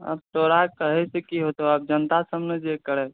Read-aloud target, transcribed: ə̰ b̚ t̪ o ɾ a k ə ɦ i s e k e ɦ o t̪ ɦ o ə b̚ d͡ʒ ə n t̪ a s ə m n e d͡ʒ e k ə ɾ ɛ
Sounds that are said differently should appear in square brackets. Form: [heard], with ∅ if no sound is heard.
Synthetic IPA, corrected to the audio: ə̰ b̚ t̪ o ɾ a k ə ɦ [ɛ] s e k [i] ɦ o t̪ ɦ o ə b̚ d͡ʒ ə n t̪ a s ə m n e d͡ʒ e k ə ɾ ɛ